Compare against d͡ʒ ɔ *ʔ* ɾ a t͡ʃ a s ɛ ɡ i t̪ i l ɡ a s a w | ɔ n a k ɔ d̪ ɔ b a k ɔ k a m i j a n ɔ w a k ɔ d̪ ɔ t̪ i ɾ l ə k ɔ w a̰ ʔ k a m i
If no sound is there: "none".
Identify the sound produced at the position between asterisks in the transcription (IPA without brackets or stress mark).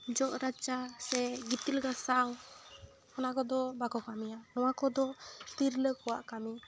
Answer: ʔ